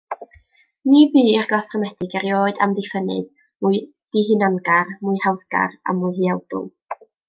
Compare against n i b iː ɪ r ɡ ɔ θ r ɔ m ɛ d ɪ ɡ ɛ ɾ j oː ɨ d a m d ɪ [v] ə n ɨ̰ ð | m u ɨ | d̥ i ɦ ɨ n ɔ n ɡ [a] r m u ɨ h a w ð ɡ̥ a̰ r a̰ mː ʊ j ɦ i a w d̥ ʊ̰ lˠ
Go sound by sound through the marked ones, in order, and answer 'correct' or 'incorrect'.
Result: incorrect: f, correct

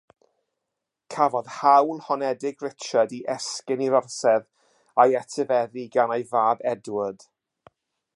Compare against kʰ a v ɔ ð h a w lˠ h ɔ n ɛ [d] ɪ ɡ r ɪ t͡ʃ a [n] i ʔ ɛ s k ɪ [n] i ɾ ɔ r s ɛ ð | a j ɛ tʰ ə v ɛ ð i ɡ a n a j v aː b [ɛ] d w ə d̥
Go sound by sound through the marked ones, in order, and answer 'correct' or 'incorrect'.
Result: correct, incorrect: d, correct, correct

